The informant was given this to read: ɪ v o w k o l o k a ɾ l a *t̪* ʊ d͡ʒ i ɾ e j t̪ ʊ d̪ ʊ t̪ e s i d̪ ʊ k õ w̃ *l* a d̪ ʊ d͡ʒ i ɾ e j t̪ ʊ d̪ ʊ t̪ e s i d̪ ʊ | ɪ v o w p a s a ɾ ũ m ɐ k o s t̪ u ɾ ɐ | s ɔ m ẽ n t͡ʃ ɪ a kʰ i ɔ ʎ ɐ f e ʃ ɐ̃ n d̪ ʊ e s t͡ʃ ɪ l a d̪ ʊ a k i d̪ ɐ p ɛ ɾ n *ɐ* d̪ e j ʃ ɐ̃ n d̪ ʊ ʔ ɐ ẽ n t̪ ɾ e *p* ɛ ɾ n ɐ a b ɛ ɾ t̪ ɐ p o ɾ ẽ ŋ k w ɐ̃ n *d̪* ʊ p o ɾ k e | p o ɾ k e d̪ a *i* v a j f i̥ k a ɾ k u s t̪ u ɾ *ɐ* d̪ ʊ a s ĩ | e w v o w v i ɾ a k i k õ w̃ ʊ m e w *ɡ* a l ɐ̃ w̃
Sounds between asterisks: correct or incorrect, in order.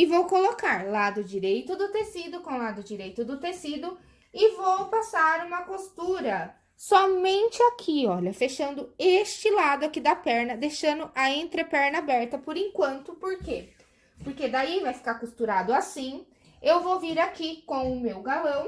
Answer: incorrect, correct, correct, correct, incorrect, correct, incorrect, correct

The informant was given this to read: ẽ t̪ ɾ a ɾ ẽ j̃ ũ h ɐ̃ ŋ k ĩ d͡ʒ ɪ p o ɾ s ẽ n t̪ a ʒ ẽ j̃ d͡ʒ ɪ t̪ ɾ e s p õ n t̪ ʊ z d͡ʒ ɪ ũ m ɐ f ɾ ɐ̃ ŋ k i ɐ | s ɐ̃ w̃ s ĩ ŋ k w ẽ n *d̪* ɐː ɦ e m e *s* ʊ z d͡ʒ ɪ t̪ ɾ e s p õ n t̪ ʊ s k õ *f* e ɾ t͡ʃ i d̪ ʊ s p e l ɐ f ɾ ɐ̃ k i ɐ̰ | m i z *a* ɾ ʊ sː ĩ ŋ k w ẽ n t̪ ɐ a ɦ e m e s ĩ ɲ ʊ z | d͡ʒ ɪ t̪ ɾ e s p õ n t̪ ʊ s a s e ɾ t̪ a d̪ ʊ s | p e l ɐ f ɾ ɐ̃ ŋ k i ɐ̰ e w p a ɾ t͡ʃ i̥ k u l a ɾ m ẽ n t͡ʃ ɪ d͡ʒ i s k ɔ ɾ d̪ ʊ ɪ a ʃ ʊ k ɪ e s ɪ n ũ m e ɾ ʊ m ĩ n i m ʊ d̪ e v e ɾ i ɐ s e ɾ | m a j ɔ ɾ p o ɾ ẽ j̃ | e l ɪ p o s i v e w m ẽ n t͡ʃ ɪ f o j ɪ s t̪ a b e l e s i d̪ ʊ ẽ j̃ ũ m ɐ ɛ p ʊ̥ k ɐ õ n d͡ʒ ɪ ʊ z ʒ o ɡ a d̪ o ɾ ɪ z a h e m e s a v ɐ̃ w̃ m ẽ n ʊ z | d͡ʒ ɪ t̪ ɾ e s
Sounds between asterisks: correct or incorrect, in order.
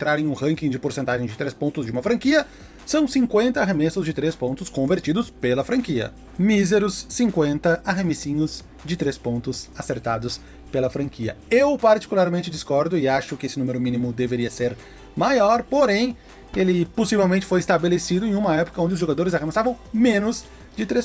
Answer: incorrect, correct, incorrect, incorrect

